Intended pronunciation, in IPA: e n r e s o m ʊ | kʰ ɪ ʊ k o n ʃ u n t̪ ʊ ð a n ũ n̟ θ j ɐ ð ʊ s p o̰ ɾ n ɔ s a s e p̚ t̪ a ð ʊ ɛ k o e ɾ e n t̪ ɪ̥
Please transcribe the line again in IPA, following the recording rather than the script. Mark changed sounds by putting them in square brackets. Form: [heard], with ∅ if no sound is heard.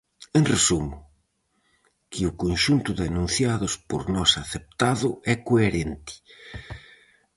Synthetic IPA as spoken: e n r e s [u] m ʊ | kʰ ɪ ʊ k o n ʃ u n t̪ ʊ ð a n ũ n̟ θ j [a] ð ʊ s p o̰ ɾ n ɔ s a [θ] e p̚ t̪ a ð ʊ ɛ k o e ɾ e n t̪ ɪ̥